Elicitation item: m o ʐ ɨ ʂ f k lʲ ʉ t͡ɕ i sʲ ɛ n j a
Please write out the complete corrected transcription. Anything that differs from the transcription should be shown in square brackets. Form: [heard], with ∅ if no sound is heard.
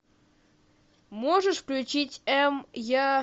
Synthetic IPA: m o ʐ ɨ ʂ f k lʲ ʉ t͡ɕ i [tʲ] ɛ [m] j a